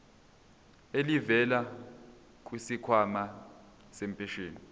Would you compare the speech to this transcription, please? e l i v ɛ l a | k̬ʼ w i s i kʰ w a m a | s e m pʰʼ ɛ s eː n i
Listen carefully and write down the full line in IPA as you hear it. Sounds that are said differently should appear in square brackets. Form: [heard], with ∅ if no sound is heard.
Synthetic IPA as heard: e l i v ɛ l a | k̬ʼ w i s i kʰ w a m a | s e m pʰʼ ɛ [ʃ] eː n i